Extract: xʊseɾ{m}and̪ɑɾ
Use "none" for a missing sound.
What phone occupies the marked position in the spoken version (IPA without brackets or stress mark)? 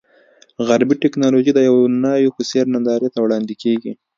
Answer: n